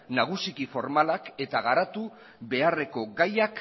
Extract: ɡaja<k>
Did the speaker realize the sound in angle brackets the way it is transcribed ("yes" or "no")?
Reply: yes